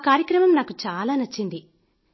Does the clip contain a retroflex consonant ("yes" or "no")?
no